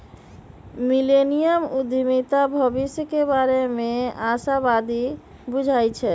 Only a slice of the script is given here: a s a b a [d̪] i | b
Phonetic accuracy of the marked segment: correct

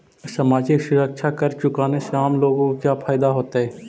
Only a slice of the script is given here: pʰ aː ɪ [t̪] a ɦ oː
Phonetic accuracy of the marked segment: incorrect: d̪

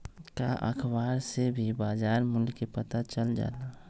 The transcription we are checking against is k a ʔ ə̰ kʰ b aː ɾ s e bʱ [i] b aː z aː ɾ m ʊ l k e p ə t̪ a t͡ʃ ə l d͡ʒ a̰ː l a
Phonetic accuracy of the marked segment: correct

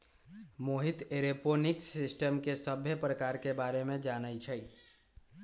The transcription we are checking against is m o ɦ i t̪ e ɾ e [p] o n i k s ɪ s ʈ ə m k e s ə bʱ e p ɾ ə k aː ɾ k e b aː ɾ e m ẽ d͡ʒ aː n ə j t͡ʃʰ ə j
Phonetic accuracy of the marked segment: correct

